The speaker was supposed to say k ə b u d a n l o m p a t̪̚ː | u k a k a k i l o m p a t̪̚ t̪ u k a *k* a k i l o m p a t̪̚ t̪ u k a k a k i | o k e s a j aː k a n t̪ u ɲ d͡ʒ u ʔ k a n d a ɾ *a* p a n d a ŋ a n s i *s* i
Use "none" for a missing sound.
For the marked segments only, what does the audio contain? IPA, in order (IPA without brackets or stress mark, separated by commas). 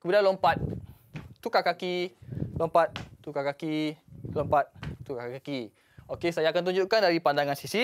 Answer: k, i, s